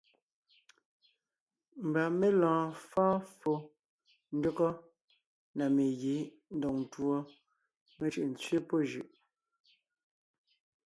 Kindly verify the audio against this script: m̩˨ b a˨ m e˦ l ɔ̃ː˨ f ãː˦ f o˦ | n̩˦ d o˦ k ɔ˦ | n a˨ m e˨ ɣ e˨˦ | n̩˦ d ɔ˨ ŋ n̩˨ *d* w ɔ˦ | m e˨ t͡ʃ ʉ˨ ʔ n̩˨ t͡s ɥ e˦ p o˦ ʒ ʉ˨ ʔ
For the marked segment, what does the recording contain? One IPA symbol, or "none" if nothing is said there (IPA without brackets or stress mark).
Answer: t